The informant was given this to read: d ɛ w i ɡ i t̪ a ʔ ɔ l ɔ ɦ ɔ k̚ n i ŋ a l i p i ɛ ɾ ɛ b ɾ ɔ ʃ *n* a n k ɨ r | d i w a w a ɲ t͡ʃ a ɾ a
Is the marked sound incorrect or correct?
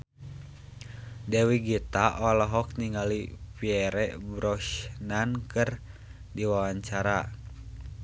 correct